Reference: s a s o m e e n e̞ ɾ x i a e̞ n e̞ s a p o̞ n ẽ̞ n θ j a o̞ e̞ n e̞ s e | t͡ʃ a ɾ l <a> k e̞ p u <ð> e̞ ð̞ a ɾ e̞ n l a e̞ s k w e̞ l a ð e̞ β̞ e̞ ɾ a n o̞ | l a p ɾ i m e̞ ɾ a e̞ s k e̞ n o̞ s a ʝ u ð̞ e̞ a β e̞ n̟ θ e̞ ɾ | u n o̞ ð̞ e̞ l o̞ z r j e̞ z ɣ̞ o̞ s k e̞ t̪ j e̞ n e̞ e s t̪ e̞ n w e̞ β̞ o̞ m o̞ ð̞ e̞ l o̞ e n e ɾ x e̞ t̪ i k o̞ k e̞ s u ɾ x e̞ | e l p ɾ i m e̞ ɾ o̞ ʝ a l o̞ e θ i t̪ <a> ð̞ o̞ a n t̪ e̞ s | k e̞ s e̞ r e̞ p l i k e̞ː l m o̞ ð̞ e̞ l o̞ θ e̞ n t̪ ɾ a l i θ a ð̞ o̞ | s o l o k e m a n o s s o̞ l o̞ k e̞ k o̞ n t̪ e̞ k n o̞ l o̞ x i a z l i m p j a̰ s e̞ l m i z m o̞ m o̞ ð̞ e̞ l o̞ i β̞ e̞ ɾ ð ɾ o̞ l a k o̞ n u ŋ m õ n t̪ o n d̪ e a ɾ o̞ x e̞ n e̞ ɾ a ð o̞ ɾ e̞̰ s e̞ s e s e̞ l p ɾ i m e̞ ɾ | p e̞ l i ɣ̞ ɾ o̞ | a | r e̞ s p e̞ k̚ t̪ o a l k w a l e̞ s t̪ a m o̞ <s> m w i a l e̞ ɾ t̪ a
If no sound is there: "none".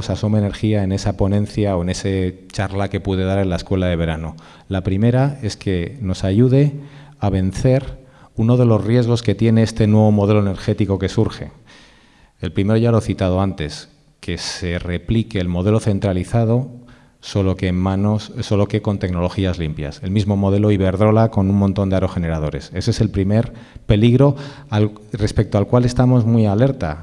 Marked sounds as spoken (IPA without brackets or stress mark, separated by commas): a, ð, a, z